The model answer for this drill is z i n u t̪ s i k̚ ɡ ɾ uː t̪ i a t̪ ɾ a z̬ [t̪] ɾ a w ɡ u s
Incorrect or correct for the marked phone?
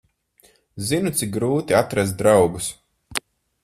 incorrect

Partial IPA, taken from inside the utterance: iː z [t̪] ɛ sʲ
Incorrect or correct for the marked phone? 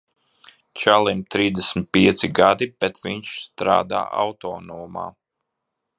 incorrect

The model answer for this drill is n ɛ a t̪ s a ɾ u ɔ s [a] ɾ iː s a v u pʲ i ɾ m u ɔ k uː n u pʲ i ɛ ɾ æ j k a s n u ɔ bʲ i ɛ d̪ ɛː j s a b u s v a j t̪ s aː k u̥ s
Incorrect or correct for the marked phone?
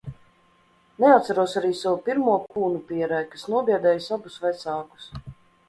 correct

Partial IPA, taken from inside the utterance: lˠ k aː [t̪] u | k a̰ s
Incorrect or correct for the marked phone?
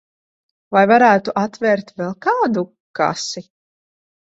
incorrect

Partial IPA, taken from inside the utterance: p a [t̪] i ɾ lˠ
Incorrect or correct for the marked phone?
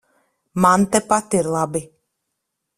correct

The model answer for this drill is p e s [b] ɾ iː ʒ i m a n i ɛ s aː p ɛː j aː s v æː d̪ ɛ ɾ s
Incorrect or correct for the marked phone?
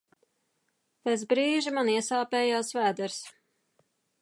correct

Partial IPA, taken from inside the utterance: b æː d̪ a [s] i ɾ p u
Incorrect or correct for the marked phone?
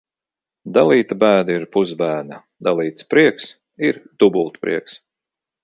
incorrect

